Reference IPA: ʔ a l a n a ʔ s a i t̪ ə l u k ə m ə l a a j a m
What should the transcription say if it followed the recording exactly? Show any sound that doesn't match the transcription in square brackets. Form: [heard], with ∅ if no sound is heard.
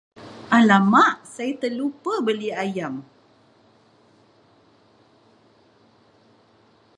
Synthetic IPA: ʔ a l a [m] a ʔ s a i t̪ ə l u [p] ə [b] ə l [i] a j a m